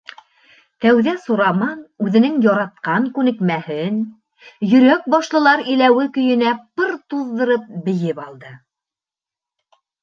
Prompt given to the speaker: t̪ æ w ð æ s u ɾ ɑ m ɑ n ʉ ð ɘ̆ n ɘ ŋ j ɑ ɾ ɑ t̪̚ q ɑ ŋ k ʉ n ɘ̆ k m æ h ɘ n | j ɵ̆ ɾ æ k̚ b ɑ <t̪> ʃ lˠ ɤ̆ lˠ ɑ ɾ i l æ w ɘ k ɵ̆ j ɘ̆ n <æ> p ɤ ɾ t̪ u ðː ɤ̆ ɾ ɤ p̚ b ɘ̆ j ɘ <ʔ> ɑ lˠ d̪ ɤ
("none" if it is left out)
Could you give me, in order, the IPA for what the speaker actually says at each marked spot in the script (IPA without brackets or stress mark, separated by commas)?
none, æ, p